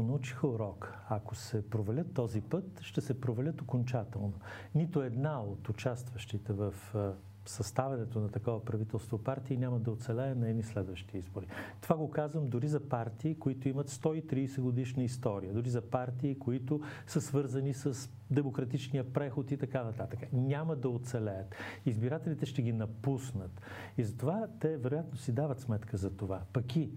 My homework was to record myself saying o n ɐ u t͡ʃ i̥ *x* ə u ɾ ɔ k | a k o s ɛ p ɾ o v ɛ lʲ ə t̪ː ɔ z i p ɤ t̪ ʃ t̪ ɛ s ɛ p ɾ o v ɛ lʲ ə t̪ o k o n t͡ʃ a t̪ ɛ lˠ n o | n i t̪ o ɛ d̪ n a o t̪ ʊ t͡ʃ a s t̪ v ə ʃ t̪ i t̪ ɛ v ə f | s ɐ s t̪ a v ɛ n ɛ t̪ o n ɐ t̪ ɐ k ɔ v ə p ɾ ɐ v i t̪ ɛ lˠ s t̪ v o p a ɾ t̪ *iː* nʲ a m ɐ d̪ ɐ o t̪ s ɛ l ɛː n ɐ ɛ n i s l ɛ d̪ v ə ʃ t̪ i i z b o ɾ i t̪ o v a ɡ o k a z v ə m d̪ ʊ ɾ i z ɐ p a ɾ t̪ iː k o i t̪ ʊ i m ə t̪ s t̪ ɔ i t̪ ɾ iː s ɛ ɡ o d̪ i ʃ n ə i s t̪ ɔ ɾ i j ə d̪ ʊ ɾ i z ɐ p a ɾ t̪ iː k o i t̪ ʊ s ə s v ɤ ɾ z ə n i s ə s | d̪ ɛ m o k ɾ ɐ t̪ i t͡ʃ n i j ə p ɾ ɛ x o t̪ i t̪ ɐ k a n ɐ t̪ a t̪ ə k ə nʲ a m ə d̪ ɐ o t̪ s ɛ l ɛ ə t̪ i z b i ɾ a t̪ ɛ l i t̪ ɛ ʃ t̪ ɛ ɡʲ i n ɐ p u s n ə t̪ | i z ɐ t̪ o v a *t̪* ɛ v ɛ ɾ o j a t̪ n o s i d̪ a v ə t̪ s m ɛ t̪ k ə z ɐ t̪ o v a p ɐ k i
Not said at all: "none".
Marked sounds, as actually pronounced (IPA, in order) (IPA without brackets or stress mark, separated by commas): x, iː, t̪